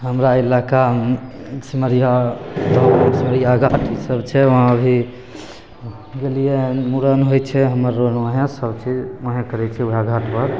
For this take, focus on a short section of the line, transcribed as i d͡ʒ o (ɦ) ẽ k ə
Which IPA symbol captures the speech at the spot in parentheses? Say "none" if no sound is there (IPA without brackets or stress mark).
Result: ɦ